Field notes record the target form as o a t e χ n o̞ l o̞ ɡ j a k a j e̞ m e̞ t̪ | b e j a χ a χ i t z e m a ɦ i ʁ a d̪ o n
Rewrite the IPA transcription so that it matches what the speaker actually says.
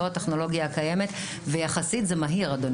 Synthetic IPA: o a t e χ n o̞ l o̞ ɡ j a k a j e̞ m e̞ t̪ | v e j a χ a s i t z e m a ɦ i ʁ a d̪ o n